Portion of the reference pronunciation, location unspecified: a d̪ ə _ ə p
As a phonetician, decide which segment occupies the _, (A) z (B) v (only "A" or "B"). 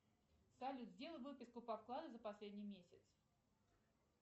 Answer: A